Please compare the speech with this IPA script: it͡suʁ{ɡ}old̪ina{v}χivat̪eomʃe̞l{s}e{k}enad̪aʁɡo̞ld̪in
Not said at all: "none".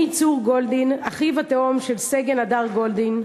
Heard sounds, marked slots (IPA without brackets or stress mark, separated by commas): ɡ, none, s, ɡ